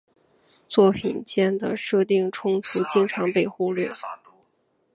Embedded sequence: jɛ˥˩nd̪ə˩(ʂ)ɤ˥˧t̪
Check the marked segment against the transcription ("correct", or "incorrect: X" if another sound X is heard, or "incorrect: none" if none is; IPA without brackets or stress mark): correct